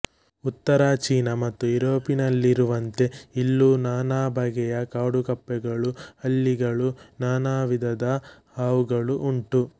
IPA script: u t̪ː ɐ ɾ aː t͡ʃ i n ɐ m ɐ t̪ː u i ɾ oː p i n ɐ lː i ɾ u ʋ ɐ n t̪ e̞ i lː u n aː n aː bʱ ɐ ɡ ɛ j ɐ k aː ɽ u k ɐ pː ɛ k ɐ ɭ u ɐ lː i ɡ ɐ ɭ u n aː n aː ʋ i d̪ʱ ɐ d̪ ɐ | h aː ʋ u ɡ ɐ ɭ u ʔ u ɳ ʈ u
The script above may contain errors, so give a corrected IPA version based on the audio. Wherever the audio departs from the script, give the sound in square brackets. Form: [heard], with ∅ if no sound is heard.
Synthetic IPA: u t̪ː ɐ ɾ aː t͡ʃ [iː] n ɐ m ɐ t̪ː u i ɾ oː p i n ɐ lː i ɾ u ʋ ɐ n t̪ e̞ i lː u n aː n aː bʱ ɐ ɡ ɛ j ɐ k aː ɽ u k ɐ pː ɛ [ɡ] ɐ ɭ u ɐ lː i ɡ ɐ ɭ u n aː n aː ʋ i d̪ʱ ɐ d̪ ɐ | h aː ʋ u ɡ ɐ ɭ u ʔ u ɳ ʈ u